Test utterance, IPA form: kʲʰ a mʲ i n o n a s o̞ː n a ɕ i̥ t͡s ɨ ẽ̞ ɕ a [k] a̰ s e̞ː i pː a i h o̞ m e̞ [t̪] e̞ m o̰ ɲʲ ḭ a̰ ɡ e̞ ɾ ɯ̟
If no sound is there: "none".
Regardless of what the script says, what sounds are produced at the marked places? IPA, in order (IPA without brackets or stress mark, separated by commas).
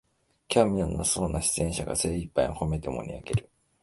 ɡ, t̪